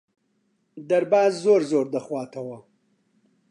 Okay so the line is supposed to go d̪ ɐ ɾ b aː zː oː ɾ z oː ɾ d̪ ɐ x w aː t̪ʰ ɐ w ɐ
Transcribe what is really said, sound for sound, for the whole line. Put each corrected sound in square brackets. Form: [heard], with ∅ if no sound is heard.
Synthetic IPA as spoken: d̪ ɐ ɾ b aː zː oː ɾ z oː ɾ d̪ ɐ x w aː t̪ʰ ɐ w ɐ

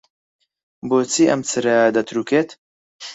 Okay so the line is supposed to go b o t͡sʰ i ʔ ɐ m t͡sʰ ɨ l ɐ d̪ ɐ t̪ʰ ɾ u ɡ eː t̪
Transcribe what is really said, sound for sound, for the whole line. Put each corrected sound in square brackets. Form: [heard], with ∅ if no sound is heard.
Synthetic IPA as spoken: b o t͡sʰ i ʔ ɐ m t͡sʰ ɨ [ɾ] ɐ d̪ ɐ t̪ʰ ɾ u [k] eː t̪

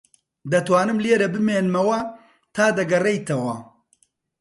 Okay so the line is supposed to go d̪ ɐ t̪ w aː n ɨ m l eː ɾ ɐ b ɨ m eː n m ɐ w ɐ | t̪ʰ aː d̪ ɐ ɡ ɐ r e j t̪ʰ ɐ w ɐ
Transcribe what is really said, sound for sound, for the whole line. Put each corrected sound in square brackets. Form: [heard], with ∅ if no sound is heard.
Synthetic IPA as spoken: d̪ ɐ t̪ w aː n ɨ m l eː ɾ ɐ b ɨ m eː n m ɐ w ɐ | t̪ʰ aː d̪ ɐ ɡ ɐ r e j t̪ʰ ɐ w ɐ

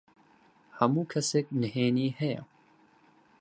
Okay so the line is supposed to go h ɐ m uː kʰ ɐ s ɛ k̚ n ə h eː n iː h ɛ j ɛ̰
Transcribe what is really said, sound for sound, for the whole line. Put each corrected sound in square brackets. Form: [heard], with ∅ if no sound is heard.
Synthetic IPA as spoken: h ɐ m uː kʰ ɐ s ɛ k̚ n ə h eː n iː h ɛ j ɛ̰

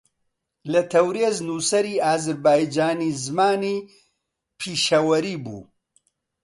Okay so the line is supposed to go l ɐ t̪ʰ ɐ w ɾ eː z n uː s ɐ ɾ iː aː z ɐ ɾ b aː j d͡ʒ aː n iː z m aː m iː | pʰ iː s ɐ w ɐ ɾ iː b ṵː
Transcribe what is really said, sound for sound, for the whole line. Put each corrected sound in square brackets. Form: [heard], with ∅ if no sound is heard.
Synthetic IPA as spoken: l ɐ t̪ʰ ɐ w ɾ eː z n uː s ɐ ɾ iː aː z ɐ ɾ b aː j d͡ʒ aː n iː z m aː [n] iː | pʰ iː [ʃ] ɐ w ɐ ɾ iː b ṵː

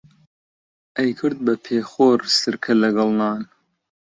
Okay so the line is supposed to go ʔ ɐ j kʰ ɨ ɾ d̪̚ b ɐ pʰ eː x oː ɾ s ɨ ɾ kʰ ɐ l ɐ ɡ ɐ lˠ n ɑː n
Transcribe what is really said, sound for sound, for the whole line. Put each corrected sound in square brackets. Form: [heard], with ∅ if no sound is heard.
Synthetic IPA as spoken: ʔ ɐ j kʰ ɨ ɾ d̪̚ b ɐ pʰ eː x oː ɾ s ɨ ɾ kʰ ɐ l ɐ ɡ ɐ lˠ n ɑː n

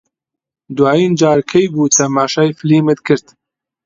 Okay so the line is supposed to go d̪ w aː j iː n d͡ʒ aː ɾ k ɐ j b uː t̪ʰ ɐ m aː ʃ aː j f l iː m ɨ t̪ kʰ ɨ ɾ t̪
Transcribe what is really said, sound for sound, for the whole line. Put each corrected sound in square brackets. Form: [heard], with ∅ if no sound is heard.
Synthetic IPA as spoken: d̪ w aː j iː n d͡ʒ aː ɾ [kʰ] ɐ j b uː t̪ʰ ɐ m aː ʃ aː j f l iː m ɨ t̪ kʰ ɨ ɾ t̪

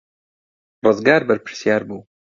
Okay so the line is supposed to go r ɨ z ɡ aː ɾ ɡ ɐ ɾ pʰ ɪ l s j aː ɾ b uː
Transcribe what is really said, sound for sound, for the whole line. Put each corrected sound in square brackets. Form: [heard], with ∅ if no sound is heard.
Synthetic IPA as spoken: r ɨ z ɡ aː ɾ [b] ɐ ɾ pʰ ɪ [ɾ] s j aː ɾ b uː

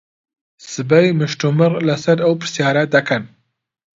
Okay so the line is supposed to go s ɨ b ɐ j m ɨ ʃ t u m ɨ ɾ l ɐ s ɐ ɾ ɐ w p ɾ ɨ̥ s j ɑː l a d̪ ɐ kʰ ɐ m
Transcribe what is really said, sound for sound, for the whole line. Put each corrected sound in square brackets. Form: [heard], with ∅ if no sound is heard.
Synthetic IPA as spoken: s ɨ b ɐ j m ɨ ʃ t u m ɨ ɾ l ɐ s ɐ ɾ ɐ w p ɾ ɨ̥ s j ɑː [ɾ] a d̪ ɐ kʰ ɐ [n]

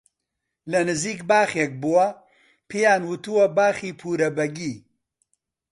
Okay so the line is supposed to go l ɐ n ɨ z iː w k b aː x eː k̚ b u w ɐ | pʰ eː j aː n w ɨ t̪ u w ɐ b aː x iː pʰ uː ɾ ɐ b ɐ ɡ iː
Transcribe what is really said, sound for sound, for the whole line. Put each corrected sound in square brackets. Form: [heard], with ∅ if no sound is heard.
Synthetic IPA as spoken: l ɐ n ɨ z iː [∅] k b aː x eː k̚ b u w ɐ | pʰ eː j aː n w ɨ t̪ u w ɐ b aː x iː pʰ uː ɾ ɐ b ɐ ɡ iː

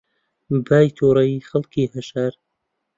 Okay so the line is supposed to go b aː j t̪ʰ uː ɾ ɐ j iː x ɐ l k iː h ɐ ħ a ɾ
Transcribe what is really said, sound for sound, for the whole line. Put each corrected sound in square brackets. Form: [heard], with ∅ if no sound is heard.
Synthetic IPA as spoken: b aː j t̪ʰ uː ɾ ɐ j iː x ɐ l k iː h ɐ [ʃ] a ɾ

